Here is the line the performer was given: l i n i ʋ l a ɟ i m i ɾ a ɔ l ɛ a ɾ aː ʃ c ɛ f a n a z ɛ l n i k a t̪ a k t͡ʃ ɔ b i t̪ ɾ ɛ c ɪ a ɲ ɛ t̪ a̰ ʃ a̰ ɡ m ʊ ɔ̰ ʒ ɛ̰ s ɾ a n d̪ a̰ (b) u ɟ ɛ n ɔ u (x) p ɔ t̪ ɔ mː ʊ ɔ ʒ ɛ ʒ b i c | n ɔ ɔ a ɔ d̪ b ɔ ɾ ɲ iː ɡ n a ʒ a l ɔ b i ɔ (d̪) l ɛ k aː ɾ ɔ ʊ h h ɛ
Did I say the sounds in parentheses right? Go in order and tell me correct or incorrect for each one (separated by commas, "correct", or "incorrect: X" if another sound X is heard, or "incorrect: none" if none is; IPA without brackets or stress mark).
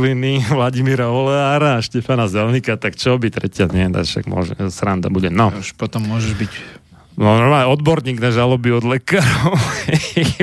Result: correct, incorrect: ʃ, correct